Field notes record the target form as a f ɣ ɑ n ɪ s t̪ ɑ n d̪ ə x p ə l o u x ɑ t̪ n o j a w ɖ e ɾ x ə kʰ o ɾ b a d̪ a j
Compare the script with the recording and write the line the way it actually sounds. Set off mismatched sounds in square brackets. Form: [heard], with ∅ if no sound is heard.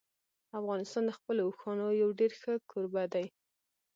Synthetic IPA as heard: a f ɣ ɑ n ɪ s t̪ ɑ n d̪ ə x p ə l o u x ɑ [∅] n o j a w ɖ e ɾ x ə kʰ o ɾ b a d̪ a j